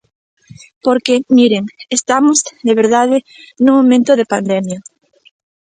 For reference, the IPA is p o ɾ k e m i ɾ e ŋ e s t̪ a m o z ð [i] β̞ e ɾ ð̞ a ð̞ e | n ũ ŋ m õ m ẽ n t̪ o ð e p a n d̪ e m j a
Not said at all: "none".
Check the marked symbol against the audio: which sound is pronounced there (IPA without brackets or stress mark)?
e